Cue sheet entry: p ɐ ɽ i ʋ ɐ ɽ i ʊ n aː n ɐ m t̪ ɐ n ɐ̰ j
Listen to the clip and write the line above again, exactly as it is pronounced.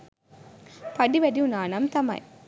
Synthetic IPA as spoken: p ɐ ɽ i ʋ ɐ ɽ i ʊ n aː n ɐ m t̪ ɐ m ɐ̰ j